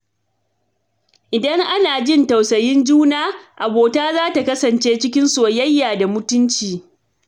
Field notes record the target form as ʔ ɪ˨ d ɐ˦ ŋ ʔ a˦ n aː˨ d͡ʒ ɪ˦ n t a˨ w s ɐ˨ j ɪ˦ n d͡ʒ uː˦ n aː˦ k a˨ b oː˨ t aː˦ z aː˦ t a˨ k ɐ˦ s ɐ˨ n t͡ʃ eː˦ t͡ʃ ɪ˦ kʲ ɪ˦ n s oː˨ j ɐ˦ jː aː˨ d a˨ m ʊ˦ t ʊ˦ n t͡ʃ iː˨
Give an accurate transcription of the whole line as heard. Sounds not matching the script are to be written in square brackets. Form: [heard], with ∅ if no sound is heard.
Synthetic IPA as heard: ʔ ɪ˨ d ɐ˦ ŋ ʔ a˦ n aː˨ d͡ʒ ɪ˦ n t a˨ w s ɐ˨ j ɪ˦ n d͡ʒ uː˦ n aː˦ [ʔ] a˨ b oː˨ t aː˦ z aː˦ t a˨ k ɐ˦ s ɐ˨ n t͡ʃ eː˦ t͡ʃ ɪ˦ kʲ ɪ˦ n s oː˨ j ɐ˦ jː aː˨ d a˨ m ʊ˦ t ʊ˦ n t͡ʃ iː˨